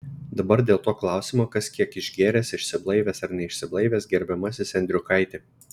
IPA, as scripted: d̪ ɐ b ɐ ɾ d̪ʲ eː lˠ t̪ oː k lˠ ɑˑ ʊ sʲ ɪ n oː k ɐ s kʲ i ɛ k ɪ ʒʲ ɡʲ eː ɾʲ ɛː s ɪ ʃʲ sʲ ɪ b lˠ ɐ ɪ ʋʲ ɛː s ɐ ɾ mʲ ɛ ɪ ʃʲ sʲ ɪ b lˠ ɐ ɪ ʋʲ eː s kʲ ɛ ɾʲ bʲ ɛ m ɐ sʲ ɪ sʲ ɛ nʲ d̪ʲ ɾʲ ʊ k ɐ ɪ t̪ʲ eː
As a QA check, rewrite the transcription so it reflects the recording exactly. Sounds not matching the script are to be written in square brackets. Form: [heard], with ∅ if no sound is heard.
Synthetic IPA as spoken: d̪ ɐ b ɐ ɾ d̪ʲ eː lˠ t̪ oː k lˠ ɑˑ ʊ sʲ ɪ [m] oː k ɐ s kʲ i ɛ k ɪ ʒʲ ɡʲ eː ɾʲ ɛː s ɪ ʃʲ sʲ ɪ b lˠ ɐ ɪ ʋʲ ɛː s ɐ ɾ [nʲ] ɛ ɪ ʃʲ sʲ ɪ b lˠ ɐ ɪ ʋʲ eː s [ɡʲ] ɛ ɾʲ bʲ ɛ m ɐ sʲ ɪ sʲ ɛ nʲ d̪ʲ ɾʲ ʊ k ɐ ɪ t̪ʲ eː